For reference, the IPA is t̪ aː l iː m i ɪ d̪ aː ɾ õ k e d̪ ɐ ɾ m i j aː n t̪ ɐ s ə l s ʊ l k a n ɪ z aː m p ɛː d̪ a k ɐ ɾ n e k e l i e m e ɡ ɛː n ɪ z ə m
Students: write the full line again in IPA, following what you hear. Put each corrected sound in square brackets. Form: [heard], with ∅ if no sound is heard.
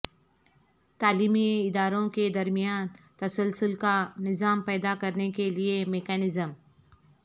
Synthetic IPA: t̪ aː l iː m i ɪ d̪ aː ɾ õ k e d̪ ɐ ɾ m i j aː n t̪ ɐ s ə l s ʊ l k a n ɪ z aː m p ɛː d̪ a k ɐ ɾ n e k e l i e m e [k] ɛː n ɪ z ə m